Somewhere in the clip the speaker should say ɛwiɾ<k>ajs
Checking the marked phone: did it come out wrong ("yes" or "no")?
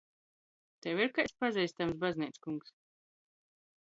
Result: no